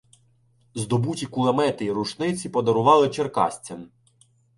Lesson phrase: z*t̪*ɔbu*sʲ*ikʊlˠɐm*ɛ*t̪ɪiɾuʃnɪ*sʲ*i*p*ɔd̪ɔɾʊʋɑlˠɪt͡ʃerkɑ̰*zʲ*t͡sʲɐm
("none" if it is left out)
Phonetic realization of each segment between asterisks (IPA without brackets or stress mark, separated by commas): d̪, tʲ, ɛ, t͡sʲ, p, sʲ